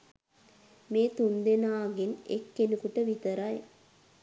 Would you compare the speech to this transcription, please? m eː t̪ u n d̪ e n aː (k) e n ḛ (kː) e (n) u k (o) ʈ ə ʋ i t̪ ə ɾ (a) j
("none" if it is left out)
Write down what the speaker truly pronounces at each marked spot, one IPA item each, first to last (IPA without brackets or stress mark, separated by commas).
ɡ, kː, n, u, a